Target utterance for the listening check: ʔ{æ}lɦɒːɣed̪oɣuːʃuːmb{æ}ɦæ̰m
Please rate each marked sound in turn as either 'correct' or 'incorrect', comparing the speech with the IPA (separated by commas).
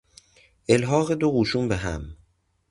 incorrect, incorrect